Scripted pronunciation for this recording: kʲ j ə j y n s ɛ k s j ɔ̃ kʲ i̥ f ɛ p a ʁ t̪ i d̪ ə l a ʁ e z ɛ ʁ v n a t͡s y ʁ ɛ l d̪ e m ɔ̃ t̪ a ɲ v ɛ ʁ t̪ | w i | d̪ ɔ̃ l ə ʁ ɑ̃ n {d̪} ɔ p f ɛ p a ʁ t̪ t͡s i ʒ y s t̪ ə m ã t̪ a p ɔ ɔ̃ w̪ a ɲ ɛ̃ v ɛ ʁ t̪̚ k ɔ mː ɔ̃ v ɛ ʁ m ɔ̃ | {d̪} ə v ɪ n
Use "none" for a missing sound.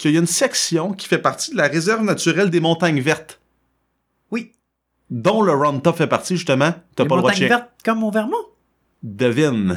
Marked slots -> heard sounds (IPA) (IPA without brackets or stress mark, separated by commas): t̪, d̪